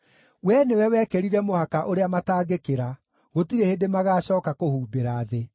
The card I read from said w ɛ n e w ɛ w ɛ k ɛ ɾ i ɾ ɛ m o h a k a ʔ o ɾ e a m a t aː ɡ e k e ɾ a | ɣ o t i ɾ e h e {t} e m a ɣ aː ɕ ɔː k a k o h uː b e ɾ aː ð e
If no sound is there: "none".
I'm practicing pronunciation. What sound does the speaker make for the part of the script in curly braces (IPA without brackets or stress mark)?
d